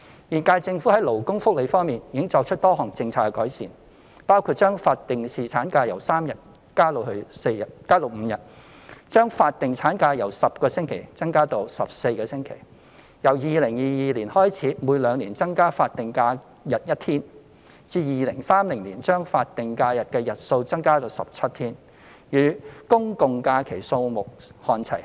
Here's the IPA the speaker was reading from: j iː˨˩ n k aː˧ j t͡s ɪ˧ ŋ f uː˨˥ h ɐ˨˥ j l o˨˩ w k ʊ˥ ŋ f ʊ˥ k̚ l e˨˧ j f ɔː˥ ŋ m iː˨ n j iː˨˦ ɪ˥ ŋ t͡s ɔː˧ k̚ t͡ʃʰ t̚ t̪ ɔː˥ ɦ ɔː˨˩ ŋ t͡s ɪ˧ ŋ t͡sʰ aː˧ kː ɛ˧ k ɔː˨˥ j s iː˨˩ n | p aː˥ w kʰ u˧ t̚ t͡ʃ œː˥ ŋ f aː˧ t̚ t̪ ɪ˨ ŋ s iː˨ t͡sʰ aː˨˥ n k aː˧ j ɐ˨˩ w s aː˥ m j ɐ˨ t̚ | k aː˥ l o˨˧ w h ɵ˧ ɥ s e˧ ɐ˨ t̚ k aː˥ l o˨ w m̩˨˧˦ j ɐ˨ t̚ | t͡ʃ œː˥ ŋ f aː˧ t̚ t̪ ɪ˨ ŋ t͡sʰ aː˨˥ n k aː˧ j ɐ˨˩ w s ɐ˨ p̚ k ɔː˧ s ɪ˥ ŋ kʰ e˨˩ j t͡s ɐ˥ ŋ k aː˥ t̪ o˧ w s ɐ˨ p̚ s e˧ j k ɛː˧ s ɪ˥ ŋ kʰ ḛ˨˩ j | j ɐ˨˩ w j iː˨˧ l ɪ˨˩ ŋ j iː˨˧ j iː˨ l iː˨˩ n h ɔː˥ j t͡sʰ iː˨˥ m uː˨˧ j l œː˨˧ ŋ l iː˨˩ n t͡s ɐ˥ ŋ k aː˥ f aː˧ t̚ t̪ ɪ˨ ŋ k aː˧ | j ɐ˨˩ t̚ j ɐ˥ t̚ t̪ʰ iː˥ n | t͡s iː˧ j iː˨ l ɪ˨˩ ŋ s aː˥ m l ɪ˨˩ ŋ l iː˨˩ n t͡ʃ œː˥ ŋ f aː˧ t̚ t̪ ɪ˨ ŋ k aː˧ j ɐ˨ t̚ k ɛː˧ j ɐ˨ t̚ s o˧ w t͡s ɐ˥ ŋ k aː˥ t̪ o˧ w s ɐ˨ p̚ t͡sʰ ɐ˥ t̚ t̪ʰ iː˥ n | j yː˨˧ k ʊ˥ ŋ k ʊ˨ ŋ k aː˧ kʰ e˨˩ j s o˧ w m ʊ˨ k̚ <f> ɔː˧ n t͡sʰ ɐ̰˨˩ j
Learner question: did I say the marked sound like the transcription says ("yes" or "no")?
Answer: no